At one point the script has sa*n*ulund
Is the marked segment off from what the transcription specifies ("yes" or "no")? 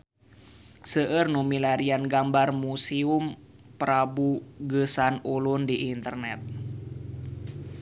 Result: no